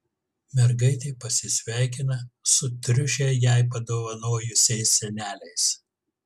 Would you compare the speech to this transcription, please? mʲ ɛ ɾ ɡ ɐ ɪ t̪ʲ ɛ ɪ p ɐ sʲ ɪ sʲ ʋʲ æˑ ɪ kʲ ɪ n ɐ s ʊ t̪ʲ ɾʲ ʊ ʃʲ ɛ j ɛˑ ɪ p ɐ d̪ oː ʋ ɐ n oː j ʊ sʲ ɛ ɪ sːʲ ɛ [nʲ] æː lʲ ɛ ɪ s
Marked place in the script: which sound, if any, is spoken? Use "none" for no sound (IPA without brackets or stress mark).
nʲ